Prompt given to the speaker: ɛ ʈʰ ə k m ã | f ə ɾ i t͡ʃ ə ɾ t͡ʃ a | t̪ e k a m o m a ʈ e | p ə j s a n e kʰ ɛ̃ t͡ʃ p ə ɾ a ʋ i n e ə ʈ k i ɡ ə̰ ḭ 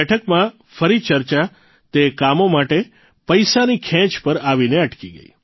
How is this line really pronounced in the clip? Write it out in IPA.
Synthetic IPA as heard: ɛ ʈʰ ə k m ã | f ə ɾ i t͡ʃ ə ɾ t͡ʃ a | t̪ e k a m o m a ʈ e | p ə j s a n i kʰ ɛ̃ t͡ʃ p ə ɾ a ʋ i n e ə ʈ k i ɡ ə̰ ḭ